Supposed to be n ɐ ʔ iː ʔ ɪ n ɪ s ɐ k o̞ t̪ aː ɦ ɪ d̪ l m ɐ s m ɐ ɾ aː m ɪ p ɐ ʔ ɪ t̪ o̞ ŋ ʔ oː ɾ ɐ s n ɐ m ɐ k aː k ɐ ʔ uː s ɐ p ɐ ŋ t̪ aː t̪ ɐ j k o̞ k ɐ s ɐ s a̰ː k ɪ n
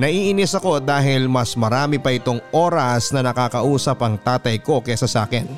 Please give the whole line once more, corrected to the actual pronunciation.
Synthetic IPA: n ɐ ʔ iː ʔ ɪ n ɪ s ɐ k o̞ d̪ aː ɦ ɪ l m ɐ s m ɐ ɾ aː m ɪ p ɐ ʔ ɪ t̪ o̞ ŋ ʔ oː ɾ ɐ s n ɐ n ɐ k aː k ɐ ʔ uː s ɐ p ɐ ŋ t̪ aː t̪ ɐ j k o̞ k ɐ s ɐ s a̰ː k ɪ n